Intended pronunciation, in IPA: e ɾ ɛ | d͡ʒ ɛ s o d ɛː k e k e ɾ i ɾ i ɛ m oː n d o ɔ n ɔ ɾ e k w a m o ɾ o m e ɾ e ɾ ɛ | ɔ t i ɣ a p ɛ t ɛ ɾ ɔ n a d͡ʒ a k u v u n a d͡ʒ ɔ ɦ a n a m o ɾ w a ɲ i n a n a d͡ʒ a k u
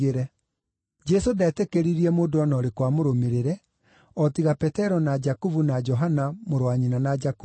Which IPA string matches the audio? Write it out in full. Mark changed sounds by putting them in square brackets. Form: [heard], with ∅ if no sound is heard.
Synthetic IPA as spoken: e ɾ ɛ | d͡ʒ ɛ s o d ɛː [t] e k e ɾ i ɾ i ɛ m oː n d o ɔ n ɔ ɾ e k w a m o ɾ o m e ɾ e ɾ ɛ | ɔ t i ɣ a p ɛ t ɛ ɾ ɔ n a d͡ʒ a k u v u n a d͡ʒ ɔ ɦ a n a m o ɾ w a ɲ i n a n a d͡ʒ a k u